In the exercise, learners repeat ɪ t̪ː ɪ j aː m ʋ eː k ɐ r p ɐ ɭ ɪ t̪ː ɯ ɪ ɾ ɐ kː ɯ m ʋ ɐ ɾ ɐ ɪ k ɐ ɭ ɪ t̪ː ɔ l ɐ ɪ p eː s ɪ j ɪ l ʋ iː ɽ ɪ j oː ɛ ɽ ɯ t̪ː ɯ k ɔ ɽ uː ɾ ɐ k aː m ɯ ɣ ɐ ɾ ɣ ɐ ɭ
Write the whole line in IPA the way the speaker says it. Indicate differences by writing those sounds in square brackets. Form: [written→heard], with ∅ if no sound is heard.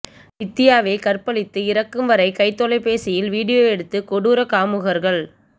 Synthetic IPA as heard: ɪ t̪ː ɪ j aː [m→∅] ʋ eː k ɐ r p ɐ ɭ ɪ t̪ː ɯ ɪ ɾ ɐ kː ɯ m ʋ ɐ ɾ ɐ ɪ k ɐ [ɭ→∅] ɪ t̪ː ɔ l ɐ ɪ p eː s ɪ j ɪ l ʋ iː ɽ ɪ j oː ɛ ɽ ɯ t̪ː ɯ k ɔ ɽ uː ɾ ɐ k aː m ɯ ɣ ɐ ɾ ɣ ɐ ɭ